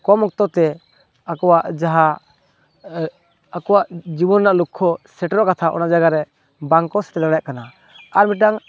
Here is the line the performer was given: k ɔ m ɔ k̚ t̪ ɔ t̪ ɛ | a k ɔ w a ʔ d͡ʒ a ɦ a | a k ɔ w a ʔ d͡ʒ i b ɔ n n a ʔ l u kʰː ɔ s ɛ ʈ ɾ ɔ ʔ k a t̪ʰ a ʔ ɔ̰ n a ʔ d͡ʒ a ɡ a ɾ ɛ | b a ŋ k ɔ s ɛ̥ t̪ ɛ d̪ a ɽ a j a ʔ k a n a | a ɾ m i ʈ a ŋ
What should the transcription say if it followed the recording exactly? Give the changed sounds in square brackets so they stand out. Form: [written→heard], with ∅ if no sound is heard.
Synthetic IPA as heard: k ɔ m ɔ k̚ t̪ ɔ t̪ ɛ | a k ɔ w a ʔ d͡ʒ a ɦ a | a k ɔ w a ʔ d͡ʒ i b ɔ n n a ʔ l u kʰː ɔ s ɛ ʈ ɾ ɔ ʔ k a t̪ʰ a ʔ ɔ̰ n a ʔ d͡ʒ a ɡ a ɾ ɛ | b a ŋ k ɔ s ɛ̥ t̪ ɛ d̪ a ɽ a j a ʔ k a n a | a ɾ m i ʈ a ŋ